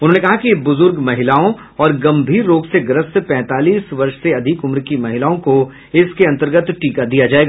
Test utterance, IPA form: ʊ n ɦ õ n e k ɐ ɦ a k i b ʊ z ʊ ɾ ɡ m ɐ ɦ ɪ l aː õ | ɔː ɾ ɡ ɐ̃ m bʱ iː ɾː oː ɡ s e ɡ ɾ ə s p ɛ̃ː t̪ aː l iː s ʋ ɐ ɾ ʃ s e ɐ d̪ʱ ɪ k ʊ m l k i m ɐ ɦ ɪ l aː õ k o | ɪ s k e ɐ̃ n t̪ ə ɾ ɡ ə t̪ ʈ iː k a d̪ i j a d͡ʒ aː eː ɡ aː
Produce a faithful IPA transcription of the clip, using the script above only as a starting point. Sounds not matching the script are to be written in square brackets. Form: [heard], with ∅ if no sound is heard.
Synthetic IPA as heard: ʊ n ɦ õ n e k ɐ ɦ a k i b ʊ z ʊ ɾ ɡ m ɐ ɦ ɪ l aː õ | ɔː ɾ ɡ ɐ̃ m bʱ iː ɾː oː ɡ s e ɡ ɾ ə s p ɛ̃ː t̪ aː l iː s ʋ ɐ ɾ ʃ s e ɐ d̪ʱ ɪ k ʊ m [ɾ] k i m ɐ ɦ ɪ l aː õ k o | ɪ s k e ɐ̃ n t̪ ə ɾ ɡ ə t̪ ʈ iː k a d̪ i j a d͡ʒ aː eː ɡ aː